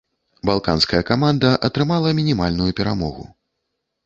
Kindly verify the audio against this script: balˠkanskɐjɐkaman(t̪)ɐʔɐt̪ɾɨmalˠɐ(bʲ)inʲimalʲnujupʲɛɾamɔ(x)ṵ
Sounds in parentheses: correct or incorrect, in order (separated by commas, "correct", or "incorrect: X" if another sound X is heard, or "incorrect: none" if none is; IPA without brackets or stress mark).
incorrect: d̪, incorrect: mʲ, incorrect: ɣ